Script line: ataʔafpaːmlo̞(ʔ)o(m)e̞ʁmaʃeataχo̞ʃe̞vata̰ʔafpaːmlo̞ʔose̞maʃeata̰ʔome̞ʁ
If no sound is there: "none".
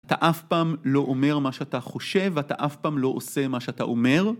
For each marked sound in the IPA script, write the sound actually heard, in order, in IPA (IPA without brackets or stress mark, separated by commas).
ʔ, m